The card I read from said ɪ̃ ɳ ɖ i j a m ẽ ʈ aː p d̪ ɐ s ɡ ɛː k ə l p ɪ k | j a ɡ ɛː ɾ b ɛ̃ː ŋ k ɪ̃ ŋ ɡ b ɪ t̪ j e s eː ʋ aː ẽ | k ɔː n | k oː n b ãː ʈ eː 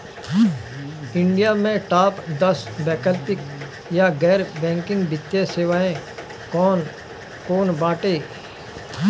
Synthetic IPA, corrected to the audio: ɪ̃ ɳ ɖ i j a m ẽ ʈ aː p d̪ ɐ s b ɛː k ə l p ɪ k | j a ɡ ɛː ɾ b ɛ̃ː ŋ k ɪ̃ ŋ ɡ b ɪ t̪ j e s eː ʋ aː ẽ | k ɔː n | k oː n b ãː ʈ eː